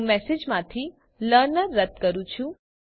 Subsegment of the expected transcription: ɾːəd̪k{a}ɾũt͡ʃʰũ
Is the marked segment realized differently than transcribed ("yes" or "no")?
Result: yes